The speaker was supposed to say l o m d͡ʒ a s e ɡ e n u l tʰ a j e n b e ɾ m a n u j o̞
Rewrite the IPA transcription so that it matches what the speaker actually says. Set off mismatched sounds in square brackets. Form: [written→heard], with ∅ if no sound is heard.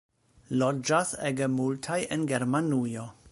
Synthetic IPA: l o [m→∅] d͡ʒ a s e ɡ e [n→m] u l tʰ a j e n [b→ɡ] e ɾ m a n u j o̞